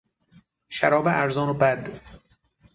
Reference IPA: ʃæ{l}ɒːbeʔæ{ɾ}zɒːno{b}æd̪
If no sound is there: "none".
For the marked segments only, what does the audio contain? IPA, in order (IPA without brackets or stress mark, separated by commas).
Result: ɾ, ɾ, b